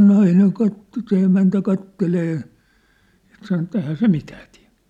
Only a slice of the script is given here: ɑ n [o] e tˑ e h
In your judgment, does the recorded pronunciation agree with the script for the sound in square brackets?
yes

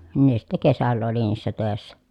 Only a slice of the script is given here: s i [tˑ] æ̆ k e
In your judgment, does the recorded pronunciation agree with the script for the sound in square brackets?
yes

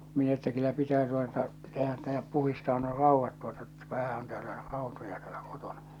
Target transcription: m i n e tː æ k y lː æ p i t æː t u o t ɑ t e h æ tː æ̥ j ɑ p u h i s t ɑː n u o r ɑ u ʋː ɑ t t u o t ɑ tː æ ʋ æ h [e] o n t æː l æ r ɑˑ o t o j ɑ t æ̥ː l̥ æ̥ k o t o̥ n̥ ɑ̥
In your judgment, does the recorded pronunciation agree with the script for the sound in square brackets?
no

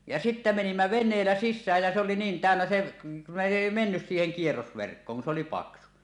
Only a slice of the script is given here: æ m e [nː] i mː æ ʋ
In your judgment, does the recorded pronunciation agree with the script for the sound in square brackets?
no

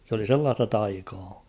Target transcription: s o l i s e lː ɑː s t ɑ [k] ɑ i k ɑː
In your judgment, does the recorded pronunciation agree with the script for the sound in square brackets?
no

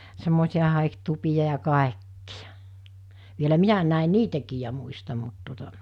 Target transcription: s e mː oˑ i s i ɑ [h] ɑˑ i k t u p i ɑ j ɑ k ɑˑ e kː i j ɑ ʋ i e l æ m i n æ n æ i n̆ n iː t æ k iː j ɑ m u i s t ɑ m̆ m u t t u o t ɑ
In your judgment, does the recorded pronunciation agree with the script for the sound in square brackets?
yes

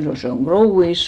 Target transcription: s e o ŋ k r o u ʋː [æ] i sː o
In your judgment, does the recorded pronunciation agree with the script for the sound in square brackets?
no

